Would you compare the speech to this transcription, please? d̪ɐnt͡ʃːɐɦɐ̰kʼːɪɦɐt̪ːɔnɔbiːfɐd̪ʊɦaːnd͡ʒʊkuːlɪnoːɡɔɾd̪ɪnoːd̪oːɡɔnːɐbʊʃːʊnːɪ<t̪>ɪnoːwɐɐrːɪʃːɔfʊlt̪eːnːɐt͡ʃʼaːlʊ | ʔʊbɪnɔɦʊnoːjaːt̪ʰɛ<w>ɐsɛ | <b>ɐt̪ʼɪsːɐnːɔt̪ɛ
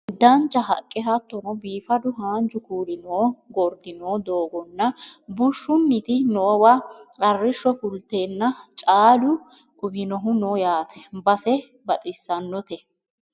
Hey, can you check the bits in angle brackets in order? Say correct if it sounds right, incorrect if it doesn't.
correct, incorrect: b, correct

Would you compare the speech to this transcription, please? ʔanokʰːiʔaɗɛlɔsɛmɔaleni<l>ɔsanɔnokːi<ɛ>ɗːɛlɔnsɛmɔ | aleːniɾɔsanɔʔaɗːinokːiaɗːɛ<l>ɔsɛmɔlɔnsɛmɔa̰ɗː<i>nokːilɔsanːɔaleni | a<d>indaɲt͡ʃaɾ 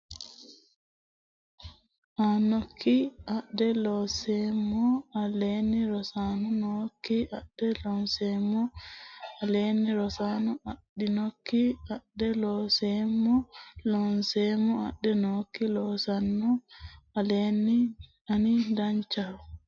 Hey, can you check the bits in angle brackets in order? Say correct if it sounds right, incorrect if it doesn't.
incorrect: ɾ, incorrect: a, correct, incorrect: ɛ, incorrect: n

